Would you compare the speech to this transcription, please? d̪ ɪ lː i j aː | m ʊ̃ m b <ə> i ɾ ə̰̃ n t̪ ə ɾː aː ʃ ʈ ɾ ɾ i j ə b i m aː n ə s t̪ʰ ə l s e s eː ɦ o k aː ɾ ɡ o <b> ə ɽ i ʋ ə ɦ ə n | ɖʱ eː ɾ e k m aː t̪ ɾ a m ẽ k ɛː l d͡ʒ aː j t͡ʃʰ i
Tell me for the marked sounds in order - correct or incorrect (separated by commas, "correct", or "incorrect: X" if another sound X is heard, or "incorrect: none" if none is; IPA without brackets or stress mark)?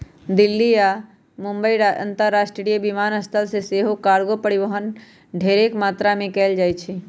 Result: correct, incorrect: p